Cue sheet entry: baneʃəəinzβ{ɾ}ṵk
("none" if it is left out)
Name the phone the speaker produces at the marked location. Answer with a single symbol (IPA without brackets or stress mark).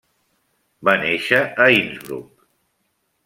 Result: ɾ